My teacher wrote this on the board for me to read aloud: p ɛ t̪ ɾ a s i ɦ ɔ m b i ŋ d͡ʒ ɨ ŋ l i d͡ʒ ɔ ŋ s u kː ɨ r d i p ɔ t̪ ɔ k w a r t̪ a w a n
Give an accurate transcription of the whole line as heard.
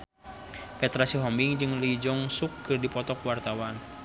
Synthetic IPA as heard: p ɛ t̪ ɾ a s i ɦ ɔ m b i ŋ d͡ʒ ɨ ŋ l i d͡ʒ ɔ ŋ s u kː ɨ r d i p ɔ t̪ ɔ k w a r t̪ a w a n

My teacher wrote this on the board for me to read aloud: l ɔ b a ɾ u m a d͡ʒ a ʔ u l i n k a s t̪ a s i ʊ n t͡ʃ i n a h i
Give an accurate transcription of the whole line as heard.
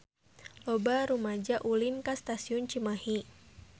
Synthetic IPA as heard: l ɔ b a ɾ u m a d͡ʒ a ʔ u l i n k a s t̪ a s i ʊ n t͡ʃ i m a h i

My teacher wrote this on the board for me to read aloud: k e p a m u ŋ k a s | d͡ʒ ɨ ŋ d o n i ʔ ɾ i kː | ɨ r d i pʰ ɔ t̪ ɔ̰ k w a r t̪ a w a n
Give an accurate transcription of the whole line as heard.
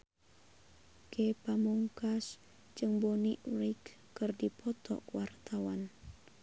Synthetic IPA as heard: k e p a m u ŋ k a s | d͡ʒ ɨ ŋ b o n i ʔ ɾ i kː | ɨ r d i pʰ ɔ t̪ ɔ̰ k w a r t̪ a w a n

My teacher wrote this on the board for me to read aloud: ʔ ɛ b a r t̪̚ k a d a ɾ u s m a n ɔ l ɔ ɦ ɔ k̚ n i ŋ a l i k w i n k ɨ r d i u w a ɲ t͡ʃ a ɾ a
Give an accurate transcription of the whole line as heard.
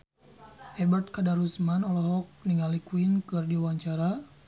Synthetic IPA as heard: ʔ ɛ b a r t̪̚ k a d a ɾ u s m a n ɔ l ɔ ɦ ɔ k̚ n i ŋ a l i k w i n k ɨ r d i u w a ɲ t͡ʃ a ɾ a

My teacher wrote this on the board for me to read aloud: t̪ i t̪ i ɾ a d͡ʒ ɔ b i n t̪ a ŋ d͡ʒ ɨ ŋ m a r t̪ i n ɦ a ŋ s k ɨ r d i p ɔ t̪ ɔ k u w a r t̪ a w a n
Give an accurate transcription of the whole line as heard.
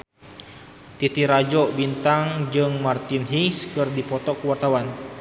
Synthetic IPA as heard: t̪ i t̪ i ɾ a d͡ʒ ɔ b i n t̪ a ŋ d͡ʒ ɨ ŋ m a r t̪ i n ɦ i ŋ s k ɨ r d i p ɔ t̪ ɔ k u w a r t̪ a w a n

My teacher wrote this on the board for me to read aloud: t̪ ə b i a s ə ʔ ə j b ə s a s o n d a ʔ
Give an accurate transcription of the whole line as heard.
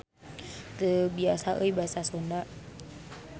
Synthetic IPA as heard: t̪ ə b i a s a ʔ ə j b a s a s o n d a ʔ

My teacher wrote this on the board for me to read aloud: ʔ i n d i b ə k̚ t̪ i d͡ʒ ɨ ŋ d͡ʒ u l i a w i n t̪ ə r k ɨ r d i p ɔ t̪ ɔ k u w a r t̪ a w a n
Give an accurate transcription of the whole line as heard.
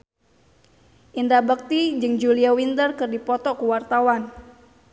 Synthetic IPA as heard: ʔ i n d a b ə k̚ t̪ i d͡ʒ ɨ ŋ d͡ʒ u l i a w i n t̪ ə r k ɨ r d i p ɔ t̪ ɔ k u w a r t̪ a w a n

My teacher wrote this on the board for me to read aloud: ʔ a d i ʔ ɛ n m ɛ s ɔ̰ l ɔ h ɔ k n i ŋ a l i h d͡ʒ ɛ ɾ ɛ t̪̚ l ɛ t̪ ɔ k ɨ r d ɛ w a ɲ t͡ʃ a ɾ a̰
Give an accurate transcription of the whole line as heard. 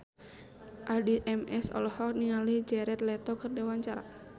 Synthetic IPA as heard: ʔ a d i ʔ ɛ m ɛ s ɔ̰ l ɔ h ɔ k n i ŋ a l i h d͡ʒ ɛ ɾ ɛ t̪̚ l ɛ t̪ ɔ k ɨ r d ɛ w a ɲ t͡ʃ a ɾ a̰

